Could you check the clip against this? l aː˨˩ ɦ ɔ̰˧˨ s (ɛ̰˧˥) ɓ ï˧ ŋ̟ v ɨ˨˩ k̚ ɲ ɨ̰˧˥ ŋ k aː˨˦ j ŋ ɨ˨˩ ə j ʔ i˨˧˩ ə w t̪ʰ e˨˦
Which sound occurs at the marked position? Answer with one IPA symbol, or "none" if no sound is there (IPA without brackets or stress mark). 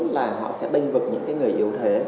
ɛ̰˧˥